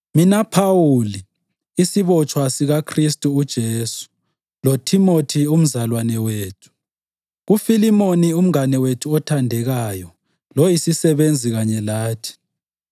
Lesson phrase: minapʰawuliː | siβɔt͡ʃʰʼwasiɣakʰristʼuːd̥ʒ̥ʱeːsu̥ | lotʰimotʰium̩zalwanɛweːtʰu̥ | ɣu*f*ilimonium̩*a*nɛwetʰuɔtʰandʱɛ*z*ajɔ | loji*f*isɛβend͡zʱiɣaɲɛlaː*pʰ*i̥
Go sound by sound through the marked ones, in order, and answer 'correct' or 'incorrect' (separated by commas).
correct, correct, incorrect, incorrect, incorrect